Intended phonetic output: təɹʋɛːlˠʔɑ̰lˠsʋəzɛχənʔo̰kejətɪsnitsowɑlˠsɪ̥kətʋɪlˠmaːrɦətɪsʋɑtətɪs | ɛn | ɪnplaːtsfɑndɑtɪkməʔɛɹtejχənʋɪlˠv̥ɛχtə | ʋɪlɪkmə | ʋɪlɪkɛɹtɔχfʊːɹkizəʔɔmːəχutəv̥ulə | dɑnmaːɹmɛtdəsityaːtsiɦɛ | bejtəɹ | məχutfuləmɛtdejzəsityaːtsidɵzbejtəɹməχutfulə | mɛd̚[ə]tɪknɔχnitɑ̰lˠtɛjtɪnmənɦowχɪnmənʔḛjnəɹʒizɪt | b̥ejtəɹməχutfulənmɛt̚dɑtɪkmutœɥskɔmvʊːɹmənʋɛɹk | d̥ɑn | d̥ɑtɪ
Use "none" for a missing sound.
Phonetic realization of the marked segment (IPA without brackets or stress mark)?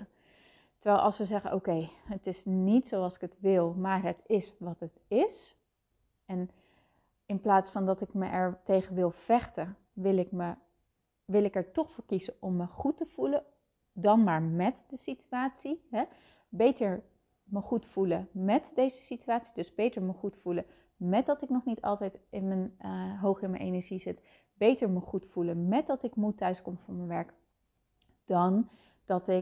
ɑ